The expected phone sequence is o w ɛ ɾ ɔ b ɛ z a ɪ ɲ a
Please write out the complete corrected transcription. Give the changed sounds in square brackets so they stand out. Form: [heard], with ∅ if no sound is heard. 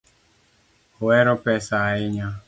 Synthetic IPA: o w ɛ ɾ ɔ [p] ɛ [s] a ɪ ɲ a